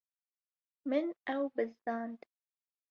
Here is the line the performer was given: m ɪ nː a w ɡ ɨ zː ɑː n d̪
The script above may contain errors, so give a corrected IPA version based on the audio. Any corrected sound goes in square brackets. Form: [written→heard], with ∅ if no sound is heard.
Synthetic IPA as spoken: m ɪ [nː→n] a w [ɡ→b] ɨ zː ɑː n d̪